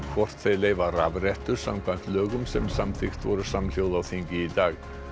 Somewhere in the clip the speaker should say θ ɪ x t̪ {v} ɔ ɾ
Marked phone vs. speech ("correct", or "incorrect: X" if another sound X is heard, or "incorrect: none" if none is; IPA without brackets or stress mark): correct